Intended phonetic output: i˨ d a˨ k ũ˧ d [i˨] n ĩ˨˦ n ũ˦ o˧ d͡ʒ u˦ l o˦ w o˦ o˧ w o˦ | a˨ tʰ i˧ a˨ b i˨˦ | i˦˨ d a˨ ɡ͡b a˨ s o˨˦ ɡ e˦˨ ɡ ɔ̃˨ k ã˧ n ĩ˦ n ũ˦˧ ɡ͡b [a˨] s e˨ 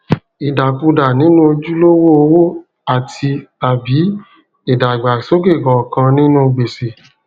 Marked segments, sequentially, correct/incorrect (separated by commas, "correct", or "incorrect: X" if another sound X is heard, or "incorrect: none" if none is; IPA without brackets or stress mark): incorrect: a˨, incorrect: e˨